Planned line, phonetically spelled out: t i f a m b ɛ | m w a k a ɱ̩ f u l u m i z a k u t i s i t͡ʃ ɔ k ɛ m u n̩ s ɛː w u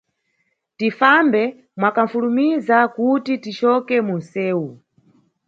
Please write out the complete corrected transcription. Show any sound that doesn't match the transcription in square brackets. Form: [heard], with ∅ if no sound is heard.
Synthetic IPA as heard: t i f a m b ɛ | m w a k a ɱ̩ f u l u m i z a k u t i [t] i t͡ʃ ɔ k ɛ m u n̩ s ɛː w u